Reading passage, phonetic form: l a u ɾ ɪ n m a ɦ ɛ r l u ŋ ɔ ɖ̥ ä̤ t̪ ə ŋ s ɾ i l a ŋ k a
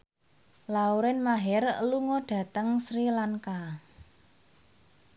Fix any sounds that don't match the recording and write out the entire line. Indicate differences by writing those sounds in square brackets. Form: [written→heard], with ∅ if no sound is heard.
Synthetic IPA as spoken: l a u ɾ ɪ n m a ɦ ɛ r l u ŋ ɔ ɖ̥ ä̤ t̪ ə ŋ s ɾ i l a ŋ k a